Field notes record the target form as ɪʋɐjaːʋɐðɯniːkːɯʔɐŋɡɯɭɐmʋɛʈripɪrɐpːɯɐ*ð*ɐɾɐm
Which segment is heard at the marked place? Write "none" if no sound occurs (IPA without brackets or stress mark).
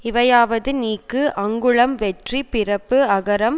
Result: ɣ